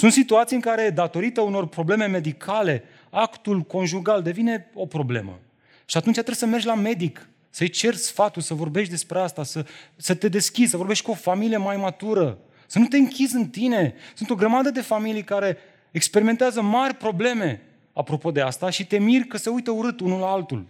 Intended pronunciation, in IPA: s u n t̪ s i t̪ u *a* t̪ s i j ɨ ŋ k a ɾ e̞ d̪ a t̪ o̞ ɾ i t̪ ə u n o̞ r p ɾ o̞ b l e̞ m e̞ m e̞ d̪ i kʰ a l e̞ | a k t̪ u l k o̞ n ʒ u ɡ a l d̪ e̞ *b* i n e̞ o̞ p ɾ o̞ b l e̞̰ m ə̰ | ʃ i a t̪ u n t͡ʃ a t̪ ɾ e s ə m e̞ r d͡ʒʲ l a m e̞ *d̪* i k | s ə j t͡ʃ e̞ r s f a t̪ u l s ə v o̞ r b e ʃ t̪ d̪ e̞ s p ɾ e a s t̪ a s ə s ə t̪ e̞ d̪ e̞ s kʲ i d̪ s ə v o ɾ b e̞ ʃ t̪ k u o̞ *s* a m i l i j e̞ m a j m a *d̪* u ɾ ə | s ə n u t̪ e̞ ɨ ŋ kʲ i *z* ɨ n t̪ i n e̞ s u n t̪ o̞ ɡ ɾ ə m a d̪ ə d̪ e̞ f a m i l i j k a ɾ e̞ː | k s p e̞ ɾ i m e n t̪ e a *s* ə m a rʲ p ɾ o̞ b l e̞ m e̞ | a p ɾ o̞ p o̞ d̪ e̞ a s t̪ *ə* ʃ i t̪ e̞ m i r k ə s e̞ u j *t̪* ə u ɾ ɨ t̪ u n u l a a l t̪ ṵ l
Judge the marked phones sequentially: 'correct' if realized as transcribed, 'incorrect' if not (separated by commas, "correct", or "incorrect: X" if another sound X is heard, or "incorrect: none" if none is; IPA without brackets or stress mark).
correct, incorrect: v, correct, incorrect: f, incorrect: t̪, correct, incorrect: z, incorrect: a, correct